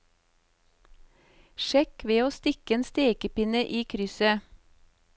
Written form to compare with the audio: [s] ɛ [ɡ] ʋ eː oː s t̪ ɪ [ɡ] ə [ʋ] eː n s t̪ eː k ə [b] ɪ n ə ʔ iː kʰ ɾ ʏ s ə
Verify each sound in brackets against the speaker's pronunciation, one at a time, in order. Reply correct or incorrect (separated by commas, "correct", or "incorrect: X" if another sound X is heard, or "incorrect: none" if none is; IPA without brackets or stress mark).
incorrect: ʃ, incorrect: k, incorrect: k, incorrect: none, incorrect: p